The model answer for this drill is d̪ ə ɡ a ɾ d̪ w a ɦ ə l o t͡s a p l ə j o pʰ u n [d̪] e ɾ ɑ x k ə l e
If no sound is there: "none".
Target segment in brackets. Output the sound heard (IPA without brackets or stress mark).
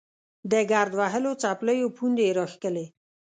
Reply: d̪